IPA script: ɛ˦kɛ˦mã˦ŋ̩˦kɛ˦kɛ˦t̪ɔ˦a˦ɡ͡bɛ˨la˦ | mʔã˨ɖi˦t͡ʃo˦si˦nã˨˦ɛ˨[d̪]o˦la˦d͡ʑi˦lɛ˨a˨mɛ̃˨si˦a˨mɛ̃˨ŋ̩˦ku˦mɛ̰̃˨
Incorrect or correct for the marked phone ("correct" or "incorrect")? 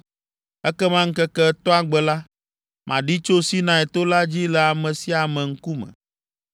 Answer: incorrect